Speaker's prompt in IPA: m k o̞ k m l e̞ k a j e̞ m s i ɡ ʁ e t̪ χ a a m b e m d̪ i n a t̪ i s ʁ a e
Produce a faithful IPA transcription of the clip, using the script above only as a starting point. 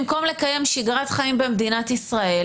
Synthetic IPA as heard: m k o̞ m l e̞ k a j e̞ m ʃ i ɡ ʁ a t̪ χ a i m b e m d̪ i n a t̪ i s ʁ a e